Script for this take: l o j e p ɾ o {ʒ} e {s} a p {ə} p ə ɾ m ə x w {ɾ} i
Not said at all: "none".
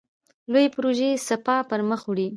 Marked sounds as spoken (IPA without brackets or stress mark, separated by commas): ʒ, s, ɑ, ɽ